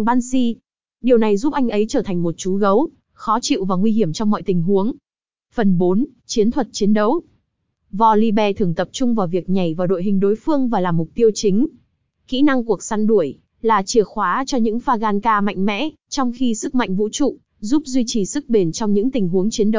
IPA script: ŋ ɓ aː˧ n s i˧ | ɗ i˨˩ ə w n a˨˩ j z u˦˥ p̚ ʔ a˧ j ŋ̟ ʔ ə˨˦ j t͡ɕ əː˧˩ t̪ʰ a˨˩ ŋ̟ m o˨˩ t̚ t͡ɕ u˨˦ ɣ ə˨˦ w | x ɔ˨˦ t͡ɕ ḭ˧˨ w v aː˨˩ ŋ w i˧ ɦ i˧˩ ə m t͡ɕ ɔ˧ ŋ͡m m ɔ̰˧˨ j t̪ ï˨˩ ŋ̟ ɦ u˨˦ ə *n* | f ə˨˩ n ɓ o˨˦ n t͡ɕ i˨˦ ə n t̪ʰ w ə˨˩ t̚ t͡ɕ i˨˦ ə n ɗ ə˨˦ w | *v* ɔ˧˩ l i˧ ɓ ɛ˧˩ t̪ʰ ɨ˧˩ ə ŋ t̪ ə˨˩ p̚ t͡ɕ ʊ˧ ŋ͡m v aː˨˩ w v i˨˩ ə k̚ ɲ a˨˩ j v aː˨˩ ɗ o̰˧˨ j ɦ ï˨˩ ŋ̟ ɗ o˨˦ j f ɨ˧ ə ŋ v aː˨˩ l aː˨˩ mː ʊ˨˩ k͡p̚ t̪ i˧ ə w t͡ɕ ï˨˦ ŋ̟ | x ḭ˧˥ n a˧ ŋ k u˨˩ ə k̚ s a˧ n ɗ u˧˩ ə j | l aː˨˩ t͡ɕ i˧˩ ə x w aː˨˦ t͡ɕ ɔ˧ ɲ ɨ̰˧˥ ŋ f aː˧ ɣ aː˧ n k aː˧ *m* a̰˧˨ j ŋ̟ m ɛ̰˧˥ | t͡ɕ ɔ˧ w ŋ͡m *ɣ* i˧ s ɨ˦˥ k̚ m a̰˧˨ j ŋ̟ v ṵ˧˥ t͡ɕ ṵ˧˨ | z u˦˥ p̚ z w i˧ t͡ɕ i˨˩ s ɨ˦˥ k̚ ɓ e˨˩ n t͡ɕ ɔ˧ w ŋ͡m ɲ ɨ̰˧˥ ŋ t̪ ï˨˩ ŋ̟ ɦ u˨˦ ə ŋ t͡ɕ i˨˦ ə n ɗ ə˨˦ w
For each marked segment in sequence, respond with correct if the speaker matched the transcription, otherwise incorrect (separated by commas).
incorrect, correct, correct, incorrect